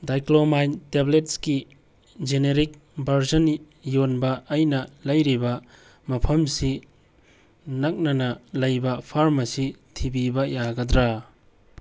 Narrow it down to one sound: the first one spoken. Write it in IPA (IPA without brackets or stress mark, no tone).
d